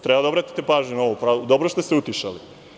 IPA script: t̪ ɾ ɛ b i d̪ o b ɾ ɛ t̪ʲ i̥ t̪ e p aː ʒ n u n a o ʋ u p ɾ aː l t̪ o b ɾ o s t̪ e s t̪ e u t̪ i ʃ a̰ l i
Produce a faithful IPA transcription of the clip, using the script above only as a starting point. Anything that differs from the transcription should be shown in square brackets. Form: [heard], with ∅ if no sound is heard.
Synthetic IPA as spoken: t̪ ɾ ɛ b [a] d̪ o b ɾ [a] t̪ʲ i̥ t̪ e p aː ʒ [ɲ] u n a o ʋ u p ɾ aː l [d̪] o b ɾ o s t̪ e s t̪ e u t̪ i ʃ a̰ l i